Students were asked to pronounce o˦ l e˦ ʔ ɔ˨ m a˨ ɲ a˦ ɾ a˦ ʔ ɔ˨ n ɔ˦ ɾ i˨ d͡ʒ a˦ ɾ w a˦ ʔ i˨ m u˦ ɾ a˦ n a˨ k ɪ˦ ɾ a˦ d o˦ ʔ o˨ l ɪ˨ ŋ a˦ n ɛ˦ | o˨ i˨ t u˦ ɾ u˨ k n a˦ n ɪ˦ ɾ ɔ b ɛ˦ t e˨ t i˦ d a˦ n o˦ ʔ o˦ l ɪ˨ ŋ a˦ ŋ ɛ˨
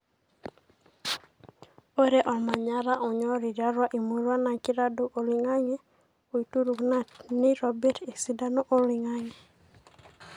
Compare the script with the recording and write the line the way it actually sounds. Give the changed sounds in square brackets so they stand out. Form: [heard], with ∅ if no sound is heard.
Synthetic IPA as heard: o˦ [ɾ] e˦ ʔ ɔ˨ m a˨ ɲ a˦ ɾ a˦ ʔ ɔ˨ [ɲ] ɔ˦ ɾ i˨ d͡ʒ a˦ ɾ w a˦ ʔ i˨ m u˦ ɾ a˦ n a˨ k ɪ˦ ɾ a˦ d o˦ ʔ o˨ l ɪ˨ ŋ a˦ [ŋ] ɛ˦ | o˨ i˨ t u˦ ɾ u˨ k n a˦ n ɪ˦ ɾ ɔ b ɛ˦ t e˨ [s] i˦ d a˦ n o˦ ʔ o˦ l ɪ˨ ŋ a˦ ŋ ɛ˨